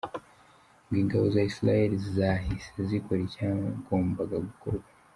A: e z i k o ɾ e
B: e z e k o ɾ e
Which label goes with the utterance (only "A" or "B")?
A